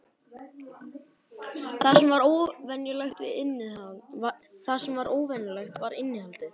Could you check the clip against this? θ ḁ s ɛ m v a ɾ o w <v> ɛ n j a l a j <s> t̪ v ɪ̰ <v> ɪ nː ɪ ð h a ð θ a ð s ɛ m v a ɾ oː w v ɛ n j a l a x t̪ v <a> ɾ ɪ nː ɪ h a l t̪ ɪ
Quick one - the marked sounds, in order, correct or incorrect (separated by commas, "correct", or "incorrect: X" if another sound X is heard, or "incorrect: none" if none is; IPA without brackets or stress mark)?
correct, incorrect: x, incorrect: ð, correct